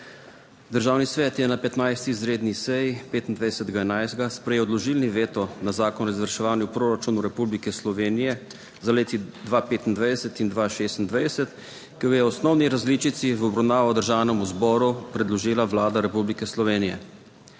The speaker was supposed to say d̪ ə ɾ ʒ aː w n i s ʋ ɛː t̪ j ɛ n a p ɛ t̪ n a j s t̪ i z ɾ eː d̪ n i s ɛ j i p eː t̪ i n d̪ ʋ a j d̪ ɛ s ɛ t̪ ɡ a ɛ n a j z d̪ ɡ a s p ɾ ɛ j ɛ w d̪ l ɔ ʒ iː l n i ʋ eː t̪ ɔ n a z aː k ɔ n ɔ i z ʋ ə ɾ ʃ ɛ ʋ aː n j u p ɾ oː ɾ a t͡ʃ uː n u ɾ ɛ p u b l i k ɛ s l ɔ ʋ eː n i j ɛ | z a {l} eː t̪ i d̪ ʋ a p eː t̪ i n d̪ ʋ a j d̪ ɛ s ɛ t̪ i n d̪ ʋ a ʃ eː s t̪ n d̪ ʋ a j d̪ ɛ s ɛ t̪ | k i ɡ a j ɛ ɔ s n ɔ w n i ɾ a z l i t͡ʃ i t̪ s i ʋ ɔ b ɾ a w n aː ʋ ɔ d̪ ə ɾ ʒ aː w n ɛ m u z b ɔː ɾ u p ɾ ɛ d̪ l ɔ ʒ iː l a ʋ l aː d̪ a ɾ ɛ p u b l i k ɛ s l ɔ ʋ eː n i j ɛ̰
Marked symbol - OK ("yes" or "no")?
yes